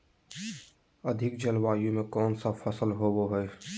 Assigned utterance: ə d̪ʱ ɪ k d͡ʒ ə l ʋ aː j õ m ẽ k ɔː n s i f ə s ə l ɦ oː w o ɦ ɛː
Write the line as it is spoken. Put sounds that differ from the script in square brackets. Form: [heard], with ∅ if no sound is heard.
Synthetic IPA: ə d̪ʱ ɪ k d͡ʒ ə l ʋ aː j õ m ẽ k ɔː n s [a] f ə s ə l ɦ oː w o ɦ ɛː